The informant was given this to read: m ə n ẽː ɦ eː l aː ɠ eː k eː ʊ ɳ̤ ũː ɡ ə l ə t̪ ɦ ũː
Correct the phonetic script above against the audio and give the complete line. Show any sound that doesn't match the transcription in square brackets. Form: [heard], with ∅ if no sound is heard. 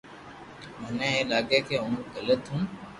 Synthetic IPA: m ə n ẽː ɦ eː l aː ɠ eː k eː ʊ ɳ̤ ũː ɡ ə l ə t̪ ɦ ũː